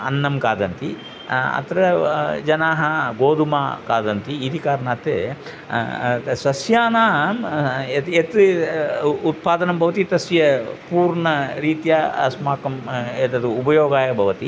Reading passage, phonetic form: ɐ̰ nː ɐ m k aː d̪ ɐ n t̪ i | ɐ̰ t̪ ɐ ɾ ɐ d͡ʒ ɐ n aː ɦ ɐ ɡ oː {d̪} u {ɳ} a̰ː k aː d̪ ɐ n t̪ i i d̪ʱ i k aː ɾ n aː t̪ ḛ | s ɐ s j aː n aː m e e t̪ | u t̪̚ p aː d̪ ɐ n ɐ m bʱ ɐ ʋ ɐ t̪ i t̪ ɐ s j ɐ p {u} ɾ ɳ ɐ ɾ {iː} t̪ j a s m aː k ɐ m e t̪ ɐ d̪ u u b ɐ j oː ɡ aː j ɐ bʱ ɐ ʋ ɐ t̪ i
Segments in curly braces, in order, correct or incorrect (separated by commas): correct, incorrect, incorrect, correct